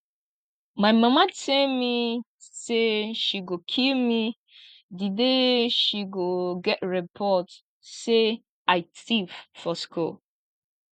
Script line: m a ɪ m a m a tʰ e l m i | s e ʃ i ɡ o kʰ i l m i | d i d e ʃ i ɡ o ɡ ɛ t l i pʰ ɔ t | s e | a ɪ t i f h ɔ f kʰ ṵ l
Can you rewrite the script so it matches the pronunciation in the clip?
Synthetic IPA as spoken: m a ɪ m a m a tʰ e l m i | s e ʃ i ɡ o kʰ i l m i | d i d e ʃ i ɡ o ɡ ɛ t ɹ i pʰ ɔ t | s e | a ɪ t i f f ɔ s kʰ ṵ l